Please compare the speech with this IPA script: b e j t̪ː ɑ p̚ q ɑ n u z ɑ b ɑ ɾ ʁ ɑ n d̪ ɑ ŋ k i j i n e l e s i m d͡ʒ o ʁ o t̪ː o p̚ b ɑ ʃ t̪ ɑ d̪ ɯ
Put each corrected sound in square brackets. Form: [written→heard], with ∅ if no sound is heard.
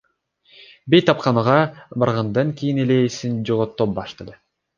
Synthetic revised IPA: b e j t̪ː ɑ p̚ q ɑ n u [z→ʁ] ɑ b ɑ ɾ ʁ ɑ n d̪ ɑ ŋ k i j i n e l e s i [m→n] d͡ʒ o ʁ o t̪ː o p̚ b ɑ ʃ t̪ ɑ d̪ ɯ